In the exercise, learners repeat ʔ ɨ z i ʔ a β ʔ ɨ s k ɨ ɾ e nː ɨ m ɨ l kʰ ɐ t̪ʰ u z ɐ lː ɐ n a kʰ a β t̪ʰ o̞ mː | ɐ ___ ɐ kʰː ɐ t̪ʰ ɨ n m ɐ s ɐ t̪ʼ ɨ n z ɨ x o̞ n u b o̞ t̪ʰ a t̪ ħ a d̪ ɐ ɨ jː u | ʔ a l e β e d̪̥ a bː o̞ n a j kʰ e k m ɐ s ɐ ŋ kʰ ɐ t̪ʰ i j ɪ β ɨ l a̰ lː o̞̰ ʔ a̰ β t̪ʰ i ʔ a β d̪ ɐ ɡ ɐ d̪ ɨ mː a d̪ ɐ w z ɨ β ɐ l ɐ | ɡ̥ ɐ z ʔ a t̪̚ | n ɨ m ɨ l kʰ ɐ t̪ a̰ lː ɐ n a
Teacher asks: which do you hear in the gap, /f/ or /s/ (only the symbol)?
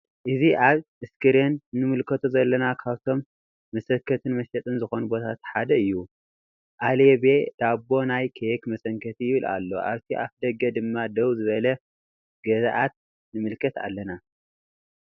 s